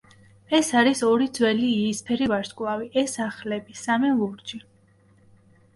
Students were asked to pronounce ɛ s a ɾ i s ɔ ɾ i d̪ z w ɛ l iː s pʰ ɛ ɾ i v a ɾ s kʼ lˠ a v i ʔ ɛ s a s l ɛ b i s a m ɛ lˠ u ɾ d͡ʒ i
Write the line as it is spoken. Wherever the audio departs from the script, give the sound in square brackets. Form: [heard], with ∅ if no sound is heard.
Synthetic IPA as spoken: ɛ s a ɾ i s ɔ ɾ i d̪ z w ɛ l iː s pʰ ɛ ɾ i v a ɾ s kʼ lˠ a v i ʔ ɛ s a [χ] l ɛ b i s a m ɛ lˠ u ɾ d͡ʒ i